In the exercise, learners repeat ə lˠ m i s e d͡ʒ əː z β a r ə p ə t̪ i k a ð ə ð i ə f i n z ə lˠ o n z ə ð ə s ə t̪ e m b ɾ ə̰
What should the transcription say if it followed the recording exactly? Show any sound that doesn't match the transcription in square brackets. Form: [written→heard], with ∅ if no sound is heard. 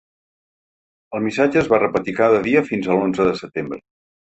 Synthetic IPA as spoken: ə lˠ m i s [e→a] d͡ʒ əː z β a r ə p ə t̪ i k a ð ə ð i ə f i n z ə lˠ o n z ə ð ə s ə t̪ e m b ɾ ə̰